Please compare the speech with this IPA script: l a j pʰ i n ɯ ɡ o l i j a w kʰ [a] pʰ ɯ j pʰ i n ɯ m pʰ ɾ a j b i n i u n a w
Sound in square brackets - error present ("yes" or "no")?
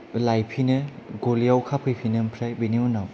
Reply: no